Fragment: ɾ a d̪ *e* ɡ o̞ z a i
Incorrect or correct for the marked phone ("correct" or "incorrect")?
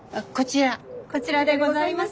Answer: correct